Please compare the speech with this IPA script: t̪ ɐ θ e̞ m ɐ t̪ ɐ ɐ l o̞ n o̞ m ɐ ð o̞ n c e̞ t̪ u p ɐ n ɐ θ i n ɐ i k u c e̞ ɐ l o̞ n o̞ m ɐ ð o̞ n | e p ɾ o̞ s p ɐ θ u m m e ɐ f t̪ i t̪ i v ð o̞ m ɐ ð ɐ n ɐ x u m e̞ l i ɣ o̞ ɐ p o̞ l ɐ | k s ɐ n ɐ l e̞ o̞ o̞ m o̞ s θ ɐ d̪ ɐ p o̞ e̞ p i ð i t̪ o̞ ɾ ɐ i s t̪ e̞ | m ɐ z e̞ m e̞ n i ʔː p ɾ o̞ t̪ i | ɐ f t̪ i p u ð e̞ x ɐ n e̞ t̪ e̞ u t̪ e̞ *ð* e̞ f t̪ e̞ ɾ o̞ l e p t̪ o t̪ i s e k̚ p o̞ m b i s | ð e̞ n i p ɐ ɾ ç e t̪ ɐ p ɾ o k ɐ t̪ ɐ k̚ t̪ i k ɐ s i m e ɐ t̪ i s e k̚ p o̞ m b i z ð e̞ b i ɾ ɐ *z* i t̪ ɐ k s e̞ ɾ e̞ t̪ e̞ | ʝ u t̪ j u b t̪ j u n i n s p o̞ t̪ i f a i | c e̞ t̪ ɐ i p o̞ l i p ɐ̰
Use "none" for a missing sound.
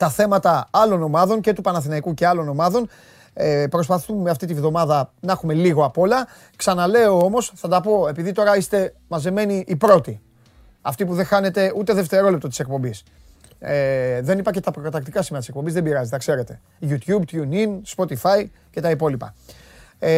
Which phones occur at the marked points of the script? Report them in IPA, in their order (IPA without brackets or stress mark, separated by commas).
ð, z